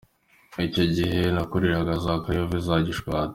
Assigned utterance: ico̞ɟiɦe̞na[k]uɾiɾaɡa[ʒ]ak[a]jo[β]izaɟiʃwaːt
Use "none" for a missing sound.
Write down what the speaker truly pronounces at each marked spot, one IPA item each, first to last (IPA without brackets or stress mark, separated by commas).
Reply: k, z, a, v